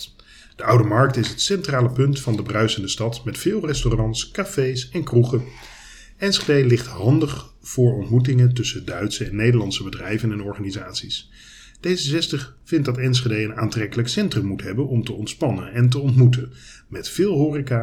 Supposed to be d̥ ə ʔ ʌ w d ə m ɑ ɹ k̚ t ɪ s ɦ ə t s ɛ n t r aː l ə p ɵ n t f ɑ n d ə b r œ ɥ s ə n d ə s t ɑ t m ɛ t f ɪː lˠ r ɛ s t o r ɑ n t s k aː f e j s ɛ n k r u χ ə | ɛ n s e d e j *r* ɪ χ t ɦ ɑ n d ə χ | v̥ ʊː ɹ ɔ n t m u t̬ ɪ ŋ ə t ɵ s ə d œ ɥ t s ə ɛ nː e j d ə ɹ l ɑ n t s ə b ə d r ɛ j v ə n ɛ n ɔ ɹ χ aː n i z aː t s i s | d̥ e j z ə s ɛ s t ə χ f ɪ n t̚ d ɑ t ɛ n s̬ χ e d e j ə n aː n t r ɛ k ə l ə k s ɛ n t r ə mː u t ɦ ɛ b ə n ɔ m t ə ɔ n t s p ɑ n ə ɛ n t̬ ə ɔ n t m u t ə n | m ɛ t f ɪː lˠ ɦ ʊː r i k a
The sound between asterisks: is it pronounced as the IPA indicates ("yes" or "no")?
no